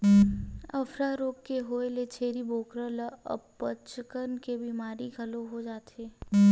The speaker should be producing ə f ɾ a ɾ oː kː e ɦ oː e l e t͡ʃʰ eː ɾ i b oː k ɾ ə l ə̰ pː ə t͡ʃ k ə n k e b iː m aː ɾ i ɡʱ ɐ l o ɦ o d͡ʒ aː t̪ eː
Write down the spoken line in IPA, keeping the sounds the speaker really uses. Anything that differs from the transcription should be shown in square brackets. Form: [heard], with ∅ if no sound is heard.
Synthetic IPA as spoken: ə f ɾ a ɾ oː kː e ɦ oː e l e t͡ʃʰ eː ɾ i b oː k ɾ ə l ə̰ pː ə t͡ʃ k ə n k e b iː m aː ɾ i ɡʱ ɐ l o ɦ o d͡ʒ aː t̪ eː